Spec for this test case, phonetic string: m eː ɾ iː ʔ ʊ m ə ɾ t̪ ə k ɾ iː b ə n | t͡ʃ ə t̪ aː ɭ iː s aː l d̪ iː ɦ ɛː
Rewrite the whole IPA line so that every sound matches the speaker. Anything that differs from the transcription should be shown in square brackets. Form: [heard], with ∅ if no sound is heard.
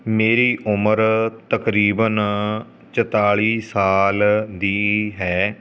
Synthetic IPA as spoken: m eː ɾ iː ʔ ʊ m ə ɾ t̪ ə k ɾ iː b ə n | t͡ʃ ə t̪ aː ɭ iː s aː l d̪ iː ɦ ɛː